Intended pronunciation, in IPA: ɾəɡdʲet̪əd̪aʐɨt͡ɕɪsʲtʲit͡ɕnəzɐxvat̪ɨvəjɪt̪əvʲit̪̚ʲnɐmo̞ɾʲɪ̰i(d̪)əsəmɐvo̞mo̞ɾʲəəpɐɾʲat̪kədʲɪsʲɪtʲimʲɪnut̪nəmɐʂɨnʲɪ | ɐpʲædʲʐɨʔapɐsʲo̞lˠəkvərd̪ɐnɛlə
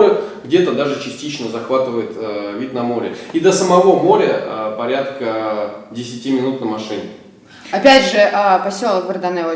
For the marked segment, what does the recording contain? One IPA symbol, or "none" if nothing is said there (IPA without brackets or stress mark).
d̪